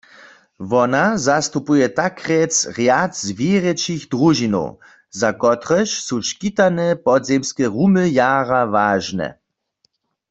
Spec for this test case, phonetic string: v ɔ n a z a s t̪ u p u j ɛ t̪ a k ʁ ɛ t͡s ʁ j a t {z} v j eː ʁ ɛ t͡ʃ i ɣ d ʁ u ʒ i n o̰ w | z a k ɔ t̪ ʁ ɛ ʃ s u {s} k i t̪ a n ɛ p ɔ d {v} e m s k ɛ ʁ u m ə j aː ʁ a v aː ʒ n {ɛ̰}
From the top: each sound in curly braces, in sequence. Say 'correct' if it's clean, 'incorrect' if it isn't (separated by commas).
correct, incorrect, incorrect, correct